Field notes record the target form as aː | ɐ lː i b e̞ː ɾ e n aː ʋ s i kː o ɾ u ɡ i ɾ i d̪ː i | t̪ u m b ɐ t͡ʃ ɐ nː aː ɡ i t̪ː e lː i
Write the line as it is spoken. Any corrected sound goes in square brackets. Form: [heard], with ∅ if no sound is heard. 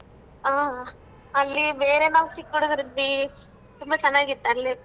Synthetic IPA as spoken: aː | ɐ lː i b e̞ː ɾ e n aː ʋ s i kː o [ɽ] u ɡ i ɾ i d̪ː i | t̪ u m b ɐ t͡ʃ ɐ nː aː ɡ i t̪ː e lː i